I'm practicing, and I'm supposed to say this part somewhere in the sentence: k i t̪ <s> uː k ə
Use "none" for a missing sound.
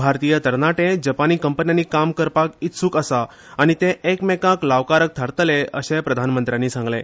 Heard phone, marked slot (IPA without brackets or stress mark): s